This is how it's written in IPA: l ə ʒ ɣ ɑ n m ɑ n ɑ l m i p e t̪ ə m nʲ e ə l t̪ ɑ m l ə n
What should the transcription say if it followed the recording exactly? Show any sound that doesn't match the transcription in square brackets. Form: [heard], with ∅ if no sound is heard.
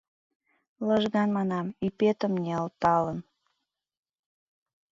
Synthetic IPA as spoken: l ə ʒ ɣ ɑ n m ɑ n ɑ [∅] m i p e t̪ ə m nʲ e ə l t̪ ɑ [∅] l ə n

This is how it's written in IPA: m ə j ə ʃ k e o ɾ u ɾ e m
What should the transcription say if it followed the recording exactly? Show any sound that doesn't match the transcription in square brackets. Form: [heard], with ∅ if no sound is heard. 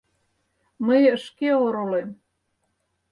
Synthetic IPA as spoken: m ə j ə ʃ k e o ɾ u [l] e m

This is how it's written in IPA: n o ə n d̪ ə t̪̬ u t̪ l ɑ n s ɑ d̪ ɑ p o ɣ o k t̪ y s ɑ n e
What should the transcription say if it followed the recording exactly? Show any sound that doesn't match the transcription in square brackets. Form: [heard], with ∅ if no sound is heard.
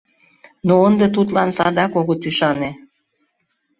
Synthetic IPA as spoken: n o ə n d̪ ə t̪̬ u t̪ l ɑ n s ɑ d̪ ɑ [k] o ɣ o [∅] t̪ y [ʃ] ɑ n e

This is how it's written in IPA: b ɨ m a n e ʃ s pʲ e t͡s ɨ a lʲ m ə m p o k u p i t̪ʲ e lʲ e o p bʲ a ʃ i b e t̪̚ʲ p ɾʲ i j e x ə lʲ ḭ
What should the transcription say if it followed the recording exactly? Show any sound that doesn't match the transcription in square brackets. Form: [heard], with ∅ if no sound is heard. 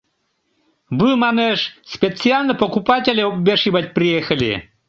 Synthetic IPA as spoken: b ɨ m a n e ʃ s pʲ e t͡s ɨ a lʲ [n] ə [∅] p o k u p [a] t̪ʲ e lʲ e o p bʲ [e] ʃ i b [a] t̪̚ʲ p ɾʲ i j e x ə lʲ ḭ

